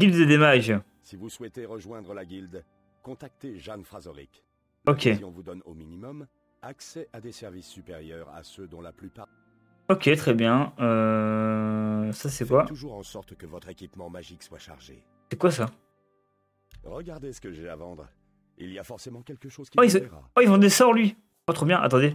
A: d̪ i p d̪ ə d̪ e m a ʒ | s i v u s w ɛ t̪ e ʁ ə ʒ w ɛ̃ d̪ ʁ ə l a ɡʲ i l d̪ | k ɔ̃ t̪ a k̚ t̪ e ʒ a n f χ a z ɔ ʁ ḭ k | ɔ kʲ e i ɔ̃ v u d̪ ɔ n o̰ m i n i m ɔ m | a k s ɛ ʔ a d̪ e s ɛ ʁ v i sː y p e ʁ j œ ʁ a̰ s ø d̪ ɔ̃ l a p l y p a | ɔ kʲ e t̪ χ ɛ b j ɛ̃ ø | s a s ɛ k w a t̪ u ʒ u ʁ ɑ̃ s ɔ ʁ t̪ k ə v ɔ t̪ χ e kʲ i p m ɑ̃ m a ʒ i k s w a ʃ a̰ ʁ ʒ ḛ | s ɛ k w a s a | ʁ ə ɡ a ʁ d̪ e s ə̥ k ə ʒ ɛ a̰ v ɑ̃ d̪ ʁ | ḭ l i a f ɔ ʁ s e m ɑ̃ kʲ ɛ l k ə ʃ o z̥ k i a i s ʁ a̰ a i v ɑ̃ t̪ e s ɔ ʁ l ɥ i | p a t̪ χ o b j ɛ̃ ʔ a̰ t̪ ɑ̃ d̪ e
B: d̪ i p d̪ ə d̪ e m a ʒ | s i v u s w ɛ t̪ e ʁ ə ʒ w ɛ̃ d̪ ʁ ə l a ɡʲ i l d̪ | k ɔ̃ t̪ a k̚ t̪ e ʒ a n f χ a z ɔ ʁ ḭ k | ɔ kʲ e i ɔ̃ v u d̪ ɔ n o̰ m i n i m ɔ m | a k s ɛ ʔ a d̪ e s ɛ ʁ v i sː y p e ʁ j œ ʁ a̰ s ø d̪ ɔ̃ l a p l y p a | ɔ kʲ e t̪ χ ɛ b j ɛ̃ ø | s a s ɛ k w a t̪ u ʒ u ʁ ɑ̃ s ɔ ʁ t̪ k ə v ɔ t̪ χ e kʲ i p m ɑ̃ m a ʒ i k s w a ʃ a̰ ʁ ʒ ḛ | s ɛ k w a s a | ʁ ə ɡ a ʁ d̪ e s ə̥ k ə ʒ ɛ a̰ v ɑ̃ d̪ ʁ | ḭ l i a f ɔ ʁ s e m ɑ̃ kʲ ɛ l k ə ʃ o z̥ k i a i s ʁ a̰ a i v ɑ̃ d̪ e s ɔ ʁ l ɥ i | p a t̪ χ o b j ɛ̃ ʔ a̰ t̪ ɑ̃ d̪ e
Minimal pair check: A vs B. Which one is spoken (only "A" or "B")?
B